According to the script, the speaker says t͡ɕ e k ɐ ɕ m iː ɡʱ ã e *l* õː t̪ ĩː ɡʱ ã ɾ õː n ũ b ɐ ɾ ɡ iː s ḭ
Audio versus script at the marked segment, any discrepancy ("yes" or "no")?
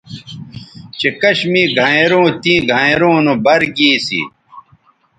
yes